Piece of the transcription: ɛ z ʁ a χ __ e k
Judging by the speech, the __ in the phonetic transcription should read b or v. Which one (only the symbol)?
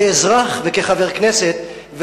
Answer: v